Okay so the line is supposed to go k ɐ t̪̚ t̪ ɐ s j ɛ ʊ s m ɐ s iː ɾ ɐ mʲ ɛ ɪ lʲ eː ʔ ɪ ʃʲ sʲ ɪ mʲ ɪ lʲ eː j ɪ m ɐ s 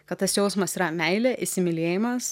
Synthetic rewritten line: k ɐ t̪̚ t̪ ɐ s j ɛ ʊ s m ɐ s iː ɾ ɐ mʲ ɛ ɪ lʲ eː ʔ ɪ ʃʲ sʲ ɪ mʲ ɪ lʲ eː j ɪ m ɐ s